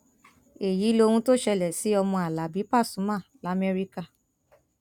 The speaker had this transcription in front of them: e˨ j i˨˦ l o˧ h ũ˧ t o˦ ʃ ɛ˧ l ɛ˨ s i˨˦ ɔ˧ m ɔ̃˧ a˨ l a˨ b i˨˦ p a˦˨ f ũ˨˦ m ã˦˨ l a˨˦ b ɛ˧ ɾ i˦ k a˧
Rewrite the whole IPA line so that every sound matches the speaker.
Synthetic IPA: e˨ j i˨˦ l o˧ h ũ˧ t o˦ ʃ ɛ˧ l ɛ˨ s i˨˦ ɔ˧ m ɔ̃˧ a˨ l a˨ b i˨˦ p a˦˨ s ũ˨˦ m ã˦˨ l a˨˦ m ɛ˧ ɾ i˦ k a˧